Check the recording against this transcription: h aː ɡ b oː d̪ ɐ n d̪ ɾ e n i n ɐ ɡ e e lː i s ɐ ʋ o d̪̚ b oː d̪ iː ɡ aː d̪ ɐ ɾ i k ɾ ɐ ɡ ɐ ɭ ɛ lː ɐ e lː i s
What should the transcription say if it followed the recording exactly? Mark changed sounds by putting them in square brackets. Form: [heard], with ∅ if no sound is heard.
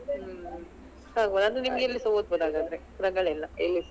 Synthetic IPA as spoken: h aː ɡ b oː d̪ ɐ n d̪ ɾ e n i [m] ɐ ɡ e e lː i s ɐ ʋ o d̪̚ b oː d̪ [aː] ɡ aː d̪ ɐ ɾ [e] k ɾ ɐ ɡ ɐ ɭ ɛ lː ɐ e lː i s